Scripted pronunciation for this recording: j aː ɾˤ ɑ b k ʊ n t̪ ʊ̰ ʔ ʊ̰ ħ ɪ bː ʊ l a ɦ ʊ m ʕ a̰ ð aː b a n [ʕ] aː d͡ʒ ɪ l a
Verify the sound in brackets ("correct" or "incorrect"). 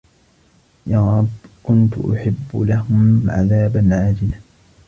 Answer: correct